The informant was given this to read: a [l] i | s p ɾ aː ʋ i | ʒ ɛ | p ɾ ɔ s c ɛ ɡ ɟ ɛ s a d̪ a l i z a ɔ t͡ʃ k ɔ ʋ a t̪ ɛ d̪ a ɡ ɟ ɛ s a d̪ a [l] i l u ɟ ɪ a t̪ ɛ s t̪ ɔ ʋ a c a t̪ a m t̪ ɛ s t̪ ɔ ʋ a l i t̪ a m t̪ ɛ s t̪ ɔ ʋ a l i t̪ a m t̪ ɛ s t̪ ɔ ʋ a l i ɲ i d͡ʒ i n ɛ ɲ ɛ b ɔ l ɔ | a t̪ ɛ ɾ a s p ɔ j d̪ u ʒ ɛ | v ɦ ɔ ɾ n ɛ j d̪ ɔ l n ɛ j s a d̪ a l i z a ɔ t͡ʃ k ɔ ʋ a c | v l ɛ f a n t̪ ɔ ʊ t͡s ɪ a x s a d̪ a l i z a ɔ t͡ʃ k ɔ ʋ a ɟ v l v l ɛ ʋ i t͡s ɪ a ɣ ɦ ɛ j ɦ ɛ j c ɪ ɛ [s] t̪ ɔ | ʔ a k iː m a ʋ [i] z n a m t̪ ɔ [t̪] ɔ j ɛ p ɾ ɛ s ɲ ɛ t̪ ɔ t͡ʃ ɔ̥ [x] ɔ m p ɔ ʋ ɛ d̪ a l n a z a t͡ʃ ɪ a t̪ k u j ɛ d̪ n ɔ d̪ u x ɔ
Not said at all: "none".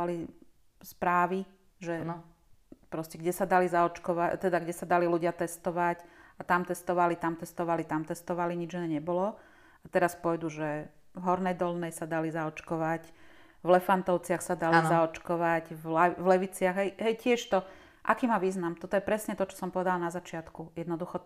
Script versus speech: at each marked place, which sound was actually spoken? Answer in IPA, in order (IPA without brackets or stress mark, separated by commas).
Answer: l, l, ʃ, iː, t̪, s